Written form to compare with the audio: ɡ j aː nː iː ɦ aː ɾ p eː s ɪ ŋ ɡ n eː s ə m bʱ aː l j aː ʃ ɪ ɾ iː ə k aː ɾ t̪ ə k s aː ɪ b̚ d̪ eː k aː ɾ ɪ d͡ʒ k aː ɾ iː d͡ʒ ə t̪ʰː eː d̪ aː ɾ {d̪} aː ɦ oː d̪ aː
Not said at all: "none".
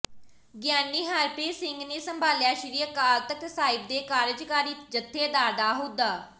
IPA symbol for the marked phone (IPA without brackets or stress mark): d̪